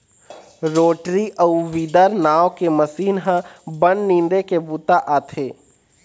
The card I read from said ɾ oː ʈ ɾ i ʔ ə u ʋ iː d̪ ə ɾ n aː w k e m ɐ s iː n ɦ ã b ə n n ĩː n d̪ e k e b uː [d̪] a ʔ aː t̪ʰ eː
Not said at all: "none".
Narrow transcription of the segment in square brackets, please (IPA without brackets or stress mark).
t̪